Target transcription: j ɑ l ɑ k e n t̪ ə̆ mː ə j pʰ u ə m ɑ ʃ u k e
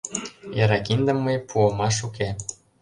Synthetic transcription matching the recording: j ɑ ɾ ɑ k i n d̪ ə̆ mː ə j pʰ u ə m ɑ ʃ u k e

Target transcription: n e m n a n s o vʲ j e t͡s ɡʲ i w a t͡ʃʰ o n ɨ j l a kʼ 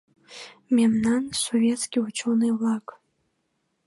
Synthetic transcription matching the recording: m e m n a n s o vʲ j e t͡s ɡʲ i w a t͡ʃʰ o n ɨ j l a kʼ

